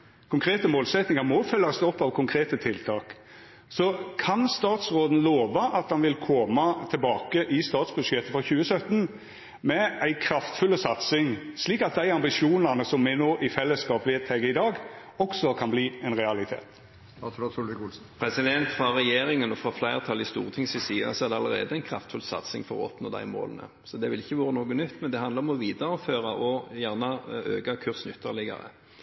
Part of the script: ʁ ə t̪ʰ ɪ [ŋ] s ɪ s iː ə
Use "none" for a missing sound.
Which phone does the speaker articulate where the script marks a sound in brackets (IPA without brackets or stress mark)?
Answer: ŋ